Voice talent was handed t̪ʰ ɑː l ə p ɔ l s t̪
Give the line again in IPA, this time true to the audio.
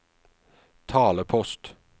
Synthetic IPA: t̪ʰ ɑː l ə pʰ ɔ s t̪